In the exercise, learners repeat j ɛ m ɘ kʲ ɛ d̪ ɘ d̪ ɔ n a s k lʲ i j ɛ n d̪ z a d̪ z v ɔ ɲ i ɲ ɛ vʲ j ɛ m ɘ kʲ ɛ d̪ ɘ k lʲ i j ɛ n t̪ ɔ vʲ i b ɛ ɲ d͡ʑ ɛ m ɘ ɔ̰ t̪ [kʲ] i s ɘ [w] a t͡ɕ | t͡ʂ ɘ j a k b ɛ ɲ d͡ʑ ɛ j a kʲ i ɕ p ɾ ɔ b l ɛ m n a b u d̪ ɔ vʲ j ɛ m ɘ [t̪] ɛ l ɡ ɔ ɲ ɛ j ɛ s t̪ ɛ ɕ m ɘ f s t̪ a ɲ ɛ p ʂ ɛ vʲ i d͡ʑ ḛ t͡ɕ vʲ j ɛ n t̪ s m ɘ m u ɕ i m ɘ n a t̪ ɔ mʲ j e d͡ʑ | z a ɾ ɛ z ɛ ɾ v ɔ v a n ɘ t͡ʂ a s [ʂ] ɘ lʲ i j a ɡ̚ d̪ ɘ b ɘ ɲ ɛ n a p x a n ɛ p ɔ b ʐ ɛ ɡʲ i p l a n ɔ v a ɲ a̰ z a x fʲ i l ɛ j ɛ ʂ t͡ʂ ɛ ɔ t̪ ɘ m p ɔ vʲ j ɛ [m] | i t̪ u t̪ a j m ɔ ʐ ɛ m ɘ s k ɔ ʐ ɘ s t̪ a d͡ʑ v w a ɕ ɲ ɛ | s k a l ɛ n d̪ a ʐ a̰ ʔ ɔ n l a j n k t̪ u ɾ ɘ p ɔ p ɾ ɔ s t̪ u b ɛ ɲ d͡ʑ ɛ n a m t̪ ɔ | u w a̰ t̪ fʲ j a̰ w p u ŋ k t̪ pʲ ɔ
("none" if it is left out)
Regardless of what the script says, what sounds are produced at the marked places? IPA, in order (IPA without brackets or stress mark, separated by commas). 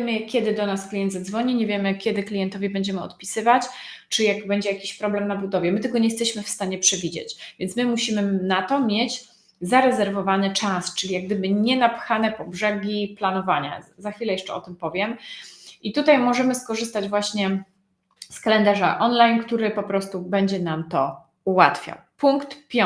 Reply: pʲ, v, t̪, t͡ʂ, m